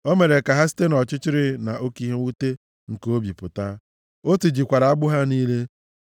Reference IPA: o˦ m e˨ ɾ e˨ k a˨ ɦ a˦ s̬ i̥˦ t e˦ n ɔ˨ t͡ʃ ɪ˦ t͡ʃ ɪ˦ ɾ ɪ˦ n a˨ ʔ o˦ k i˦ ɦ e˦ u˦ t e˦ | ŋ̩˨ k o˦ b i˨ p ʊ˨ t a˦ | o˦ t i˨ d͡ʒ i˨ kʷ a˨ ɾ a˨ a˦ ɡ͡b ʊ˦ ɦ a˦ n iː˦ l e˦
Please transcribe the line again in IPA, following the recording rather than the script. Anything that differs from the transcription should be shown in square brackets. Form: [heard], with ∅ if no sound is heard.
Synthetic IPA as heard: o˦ m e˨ ɾ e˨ k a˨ ɦ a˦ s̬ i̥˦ t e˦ n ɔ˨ t͡ʃ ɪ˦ t͡ʃ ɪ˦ ɾ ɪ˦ n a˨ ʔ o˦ k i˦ ɦ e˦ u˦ t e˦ | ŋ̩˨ k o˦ b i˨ p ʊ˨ t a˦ | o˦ t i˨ d͡ʒ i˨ kʷ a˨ ɾ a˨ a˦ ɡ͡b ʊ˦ ɦ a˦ n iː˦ l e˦